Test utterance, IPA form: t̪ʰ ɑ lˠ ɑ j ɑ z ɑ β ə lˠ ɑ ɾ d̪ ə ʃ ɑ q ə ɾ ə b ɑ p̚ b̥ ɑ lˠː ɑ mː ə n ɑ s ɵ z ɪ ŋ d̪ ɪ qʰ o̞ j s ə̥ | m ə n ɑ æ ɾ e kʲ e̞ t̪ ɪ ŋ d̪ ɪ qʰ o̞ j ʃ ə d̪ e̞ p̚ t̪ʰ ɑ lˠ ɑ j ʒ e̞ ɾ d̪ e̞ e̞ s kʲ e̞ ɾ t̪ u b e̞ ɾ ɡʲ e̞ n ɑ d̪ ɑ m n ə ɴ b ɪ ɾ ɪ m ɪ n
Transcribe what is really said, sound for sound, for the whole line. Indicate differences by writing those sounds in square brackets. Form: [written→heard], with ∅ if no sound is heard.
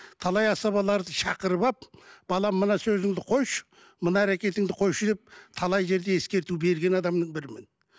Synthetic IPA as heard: t̪ʰ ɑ lˠ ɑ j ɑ [z→s] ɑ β [ə→ɑ] lˠ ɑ ɾ d̪ ə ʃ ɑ q ə ɾ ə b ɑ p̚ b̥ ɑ [lˠː→lˠ] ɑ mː ə n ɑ s ɵ z ɪ ŋ d̪ ɪ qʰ o̞ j [s→ʃ] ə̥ | m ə n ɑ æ ɾ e kʲ e̞ t̪ ɪ ŋ d̪ ɪ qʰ o̞ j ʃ ə d̪ e̞ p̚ t̪ʰ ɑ lˠ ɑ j ʒ e̞ ɾ d̪ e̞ e̞ s kʲ e̞ ɾ t̪ u b e̞ ɾ ɡʲ e̞ n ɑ d̪ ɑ m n ə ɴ b ɪ ɾ ɪ m ɪ n